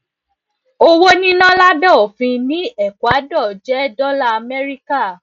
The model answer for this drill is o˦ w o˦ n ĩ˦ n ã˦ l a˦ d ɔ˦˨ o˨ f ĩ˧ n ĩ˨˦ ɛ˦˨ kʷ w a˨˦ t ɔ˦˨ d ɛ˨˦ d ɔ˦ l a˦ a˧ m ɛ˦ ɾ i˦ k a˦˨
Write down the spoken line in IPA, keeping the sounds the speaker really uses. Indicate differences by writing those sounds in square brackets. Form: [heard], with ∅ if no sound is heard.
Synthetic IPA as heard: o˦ w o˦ n ĩ˦ n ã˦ l a˦ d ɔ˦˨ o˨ f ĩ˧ n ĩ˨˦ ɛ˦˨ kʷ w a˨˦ [d] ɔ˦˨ [d͡ʒ] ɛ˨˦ d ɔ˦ l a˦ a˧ m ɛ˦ ɾ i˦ k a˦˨